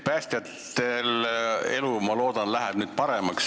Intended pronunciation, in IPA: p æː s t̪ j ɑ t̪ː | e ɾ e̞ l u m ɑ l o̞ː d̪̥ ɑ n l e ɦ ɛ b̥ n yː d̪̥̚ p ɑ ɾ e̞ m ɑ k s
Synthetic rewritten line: p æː s t̪ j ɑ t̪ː | e l e̞ l u m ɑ l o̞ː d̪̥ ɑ n l æ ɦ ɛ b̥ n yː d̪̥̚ p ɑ ɾ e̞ m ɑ k s